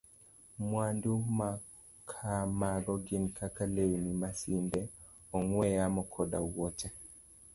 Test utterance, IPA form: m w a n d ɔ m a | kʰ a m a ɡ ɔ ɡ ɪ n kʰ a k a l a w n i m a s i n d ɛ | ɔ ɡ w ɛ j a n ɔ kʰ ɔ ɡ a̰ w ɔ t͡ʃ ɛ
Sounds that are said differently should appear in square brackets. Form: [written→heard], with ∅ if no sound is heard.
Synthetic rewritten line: m w a n d [ɔ→u] m a | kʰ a m a ɡ ɔ ɡ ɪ n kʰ a k a l [a→e] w n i m a s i n d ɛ | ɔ [ɡ→ŋ] w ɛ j a [n→m] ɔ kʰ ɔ [ɡ→d] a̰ w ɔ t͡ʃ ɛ